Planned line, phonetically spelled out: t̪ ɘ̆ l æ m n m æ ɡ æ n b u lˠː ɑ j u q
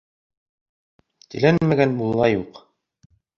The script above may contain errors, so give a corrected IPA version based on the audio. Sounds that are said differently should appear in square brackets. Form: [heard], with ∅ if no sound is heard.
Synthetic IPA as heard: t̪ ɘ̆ l æ [∅] n m æ ɡ æ n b u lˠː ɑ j u q